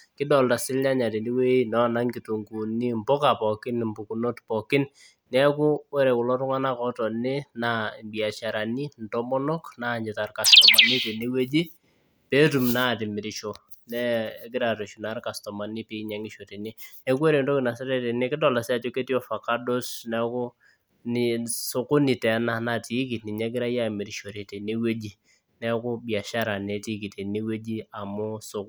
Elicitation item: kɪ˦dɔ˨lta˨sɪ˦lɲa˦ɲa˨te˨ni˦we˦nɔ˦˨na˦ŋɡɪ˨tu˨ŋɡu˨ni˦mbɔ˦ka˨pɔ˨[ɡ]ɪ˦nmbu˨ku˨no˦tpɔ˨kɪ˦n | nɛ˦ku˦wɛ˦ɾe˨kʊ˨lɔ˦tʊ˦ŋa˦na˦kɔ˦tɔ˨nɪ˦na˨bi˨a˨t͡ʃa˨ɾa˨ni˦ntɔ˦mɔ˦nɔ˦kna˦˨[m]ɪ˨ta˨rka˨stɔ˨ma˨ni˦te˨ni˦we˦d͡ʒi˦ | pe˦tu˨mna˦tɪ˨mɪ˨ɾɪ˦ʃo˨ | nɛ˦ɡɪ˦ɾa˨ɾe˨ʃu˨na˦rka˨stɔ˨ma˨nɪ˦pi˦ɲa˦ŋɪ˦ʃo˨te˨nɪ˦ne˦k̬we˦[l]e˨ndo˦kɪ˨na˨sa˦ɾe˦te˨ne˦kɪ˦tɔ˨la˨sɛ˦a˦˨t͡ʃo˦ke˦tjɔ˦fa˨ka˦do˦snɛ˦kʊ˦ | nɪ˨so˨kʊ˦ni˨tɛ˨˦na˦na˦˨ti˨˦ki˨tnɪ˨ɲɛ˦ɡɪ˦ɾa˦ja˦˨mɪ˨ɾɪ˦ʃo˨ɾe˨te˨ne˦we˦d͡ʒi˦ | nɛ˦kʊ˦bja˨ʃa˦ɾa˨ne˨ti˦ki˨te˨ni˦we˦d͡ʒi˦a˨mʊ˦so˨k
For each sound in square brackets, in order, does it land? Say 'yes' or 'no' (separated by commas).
no, no, no